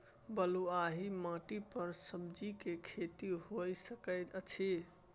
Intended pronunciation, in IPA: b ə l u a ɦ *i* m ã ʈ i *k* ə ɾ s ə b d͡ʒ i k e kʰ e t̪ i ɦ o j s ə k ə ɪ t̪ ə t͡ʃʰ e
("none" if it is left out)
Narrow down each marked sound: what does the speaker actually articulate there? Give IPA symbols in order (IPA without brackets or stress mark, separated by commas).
i, p